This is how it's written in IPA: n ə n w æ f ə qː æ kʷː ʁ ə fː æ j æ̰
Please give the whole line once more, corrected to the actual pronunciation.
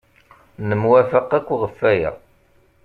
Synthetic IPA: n ə m w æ f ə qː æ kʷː ʁ ə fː æ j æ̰